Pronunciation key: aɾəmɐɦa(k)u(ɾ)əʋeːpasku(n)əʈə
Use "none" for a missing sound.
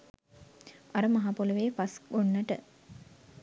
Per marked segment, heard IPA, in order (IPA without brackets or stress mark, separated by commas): p, l, nː